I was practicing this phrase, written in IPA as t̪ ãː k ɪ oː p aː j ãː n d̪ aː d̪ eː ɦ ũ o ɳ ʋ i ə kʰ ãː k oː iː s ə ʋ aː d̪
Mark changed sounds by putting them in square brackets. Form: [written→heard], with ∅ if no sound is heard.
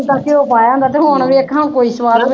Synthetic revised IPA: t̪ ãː k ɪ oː p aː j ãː n d̪ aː [d̪→t̪] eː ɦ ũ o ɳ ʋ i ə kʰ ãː k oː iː s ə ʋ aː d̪